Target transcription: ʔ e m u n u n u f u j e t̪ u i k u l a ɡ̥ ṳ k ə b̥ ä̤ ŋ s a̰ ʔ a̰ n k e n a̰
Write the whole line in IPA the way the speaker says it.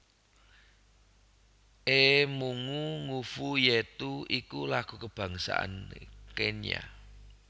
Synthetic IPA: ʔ e m u ŋ u ŋ u f u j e t̪ u i k u l a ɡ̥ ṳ k ə b̥ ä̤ ŋ s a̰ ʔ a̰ n k e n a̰